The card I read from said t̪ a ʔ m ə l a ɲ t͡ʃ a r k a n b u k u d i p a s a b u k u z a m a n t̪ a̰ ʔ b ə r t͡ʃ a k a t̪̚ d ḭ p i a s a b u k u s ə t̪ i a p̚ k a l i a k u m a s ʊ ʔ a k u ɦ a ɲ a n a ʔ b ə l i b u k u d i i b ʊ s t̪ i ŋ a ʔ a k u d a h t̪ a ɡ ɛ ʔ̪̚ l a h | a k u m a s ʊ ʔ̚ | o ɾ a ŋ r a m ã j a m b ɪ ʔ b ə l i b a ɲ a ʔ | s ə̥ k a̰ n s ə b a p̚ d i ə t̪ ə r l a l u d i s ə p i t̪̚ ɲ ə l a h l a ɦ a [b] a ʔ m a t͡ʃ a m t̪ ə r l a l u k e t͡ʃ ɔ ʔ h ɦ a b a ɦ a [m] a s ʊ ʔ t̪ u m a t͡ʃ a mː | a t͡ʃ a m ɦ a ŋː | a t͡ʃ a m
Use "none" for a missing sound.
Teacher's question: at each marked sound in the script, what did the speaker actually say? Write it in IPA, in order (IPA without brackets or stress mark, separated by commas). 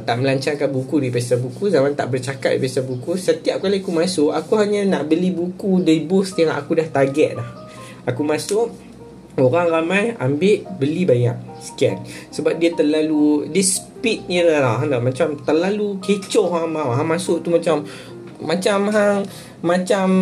d, m